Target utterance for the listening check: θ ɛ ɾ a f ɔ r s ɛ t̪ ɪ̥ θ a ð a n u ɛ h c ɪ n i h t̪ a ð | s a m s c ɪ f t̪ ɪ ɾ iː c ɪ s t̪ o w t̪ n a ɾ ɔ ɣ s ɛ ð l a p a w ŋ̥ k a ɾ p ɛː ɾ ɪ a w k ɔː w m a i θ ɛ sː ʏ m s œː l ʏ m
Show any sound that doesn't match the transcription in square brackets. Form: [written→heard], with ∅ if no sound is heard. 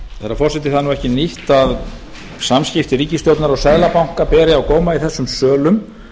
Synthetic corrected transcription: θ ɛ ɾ a f ɔ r s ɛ t̪ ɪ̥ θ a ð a n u ɛ h c ɪ n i h t̪ a ð | s a m s c ɪ f t̪ ɪ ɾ iː c ɪ s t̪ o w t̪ n a ɾ ɔ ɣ s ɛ ð l a p a w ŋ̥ k a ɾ p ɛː ɾ ɪ a w k ɔː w m a i θ ɛ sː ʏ m s œː l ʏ m